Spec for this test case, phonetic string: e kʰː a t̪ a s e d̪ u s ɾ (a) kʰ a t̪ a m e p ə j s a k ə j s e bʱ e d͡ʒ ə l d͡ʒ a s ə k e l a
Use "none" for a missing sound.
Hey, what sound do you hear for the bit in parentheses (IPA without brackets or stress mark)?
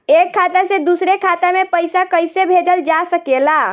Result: e